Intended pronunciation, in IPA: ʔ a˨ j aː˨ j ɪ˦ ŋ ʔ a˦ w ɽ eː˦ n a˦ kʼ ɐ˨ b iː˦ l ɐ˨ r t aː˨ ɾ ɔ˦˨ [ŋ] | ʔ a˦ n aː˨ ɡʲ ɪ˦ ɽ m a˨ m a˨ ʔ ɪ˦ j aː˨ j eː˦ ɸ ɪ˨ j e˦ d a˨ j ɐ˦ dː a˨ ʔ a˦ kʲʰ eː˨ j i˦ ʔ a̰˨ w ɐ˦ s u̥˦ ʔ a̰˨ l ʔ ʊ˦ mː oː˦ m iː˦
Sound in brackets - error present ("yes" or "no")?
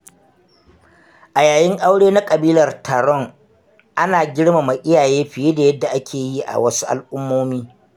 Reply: no